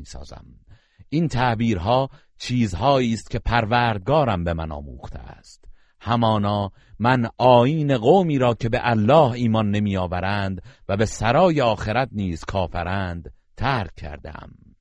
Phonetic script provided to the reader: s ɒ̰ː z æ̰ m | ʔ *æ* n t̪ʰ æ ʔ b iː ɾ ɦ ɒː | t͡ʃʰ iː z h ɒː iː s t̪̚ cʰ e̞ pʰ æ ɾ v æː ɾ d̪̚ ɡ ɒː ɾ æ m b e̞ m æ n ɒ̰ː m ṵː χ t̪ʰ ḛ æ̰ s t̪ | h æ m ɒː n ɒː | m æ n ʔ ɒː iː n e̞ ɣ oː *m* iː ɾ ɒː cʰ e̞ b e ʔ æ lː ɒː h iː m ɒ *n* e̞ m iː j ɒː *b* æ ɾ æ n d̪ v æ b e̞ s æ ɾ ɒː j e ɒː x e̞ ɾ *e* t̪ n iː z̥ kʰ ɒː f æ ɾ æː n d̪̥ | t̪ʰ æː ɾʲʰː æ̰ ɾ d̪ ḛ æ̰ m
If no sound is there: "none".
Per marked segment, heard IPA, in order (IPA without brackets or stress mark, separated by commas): i, m, nː, v, æ